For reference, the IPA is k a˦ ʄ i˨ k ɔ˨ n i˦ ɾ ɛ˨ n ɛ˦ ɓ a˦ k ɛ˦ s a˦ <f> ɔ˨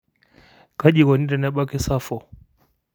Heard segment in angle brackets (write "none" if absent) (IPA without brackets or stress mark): f